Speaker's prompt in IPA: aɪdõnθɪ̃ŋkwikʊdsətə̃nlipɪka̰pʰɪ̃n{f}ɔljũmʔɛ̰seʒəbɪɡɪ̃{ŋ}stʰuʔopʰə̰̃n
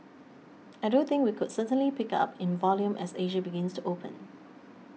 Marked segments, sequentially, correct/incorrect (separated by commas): incorrect, incorrect